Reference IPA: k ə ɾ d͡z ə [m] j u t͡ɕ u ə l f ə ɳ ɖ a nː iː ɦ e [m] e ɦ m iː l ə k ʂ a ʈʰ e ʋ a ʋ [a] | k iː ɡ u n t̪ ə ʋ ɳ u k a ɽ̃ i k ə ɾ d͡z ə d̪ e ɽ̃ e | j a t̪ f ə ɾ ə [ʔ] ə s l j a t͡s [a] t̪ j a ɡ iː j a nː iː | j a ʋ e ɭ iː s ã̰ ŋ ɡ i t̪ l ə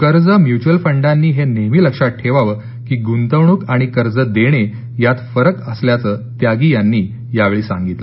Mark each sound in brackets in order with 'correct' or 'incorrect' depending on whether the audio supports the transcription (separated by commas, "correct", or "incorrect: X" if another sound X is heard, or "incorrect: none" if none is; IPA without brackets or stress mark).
correct, incorrect: n, incorrect: ə, incorrect: k, incorrect: ə